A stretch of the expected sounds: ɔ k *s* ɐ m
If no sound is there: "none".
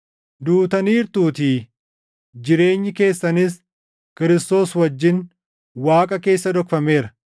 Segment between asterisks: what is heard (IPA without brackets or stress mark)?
f